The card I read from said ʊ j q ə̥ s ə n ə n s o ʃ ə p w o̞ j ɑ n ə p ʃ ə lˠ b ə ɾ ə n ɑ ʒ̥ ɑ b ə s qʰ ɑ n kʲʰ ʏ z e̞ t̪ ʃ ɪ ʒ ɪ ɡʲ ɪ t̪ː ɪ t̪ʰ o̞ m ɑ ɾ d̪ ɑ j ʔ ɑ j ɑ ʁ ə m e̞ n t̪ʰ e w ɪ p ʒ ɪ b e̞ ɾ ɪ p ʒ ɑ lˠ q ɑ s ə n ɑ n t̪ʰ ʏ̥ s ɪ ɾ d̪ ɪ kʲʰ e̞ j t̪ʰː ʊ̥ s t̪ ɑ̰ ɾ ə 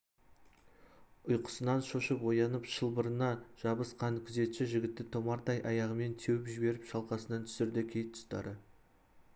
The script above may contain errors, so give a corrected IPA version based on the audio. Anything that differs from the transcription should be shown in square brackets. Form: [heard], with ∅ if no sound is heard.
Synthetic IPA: ʊ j q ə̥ s ə n [ɑ] n [ʃ] o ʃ ə p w o̞ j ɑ n ə p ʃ ə lˠ b ə ɾ ə n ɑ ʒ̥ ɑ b ə s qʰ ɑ n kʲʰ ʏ z e̞ t̪ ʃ ɪ ʒ ɪ ɡʲ ɪ t̪ː ɪ t̪ʰ o̞ m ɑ ɾ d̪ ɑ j ʔ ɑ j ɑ ʁ ə m e̞ n t̪ʰ e w ɪ p ʒ ɪ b e̞ ɾ ɪ p [ʃ] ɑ lˠ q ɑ s ə n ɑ n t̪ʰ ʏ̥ s ɪ ɾ d̪ ɪ kʲʰ e̞ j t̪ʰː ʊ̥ s t̪ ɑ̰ ɾ ə